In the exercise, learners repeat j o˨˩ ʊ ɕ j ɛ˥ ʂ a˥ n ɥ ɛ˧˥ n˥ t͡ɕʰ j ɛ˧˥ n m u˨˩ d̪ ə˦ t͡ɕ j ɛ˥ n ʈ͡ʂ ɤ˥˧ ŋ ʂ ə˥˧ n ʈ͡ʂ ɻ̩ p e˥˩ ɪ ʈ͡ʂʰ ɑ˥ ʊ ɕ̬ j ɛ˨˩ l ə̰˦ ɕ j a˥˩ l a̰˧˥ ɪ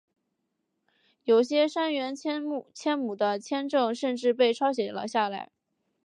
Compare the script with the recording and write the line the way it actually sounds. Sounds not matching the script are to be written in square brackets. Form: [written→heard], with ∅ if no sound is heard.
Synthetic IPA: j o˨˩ ʊ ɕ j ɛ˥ ʂ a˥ n ɥ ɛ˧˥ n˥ t͡ɕʰ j [ɛ˧˥→ɛ˥] n m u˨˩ d̪ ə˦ [t͡ɕ→t͡ɕʰ] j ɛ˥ n ʈ͡ʂ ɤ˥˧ ŋ ʂ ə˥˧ n ʈ͡ʂ ɻ̩ p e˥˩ ɪ ʈ͡ʂʰ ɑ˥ ʊ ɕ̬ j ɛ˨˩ l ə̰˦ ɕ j a˥˩ l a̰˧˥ ɪ